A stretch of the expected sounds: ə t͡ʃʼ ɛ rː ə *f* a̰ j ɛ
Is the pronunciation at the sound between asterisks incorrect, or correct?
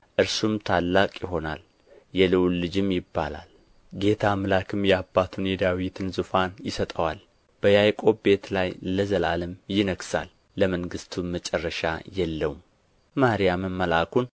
incorrect